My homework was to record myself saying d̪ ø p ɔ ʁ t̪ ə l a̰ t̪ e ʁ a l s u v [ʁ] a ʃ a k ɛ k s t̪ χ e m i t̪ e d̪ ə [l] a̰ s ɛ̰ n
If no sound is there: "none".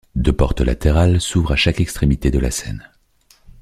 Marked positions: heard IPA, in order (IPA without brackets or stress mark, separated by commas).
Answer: ʁ, l